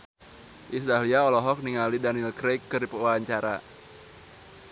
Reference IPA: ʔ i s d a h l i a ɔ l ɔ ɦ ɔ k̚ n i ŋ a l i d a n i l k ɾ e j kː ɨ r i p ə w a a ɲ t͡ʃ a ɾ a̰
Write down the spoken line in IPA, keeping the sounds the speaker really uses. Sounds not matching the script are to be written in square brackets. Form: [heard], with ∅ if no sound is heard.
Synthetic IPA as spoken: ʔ i s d a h l i a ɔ l ɔ ɦ ɔ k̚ n i ŋ a l i d a n i l k ɾ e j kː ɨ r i p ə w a a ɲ t͡ʃ a ɾ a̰